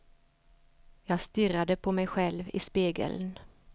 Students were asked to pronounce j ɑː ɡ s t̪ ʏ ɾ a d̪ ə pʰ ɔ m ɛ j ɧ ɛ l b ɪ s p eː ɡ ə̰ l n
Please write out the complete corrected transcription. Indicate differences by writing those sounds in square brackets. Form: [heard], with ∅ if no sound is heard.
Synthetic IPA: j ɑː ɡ s t̪ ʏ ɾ a d̪ ə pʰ ɔ m ɛ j ɧ ɛ l [v] ɪ s p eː ɡ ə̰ l n